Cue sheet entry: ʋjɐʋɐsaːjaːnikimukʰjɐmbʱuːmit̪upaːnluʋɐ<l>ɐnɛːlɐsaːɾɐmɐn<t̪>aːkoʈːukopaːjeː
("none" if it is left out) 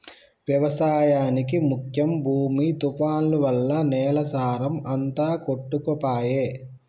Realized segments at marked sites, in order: lː, t̪

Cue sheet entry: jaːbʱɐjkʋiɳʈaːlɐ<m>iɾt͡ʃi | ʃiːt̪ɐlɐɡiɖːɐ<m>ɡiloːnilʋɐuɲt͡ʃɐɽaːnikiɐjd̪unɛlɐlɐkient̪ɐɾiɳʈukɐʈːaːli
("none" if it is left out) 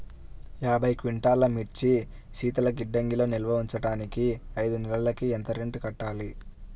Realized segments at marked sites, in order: m, ŋ

